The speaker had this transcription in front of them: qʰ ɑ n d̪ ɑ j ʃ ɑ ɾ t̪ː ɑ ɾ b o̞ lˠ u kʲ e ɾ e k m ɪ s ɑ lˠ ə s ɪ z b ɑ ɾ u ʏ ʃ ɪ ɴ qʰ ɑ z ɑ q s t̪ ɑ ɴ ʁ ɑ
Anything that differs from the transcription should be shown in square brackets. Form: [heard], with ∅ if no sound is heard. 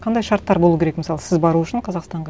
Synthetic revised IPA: qʰ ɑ n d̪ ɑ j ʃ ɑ ɾ t̪ː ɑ ɾ b o̞ lˠ u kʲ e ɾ e k m ɪ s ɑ lˠ ə s ɪ z b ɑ ɾ u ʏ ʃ ɪ ɴ qʰ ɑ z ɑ q s t̪ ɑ ɴ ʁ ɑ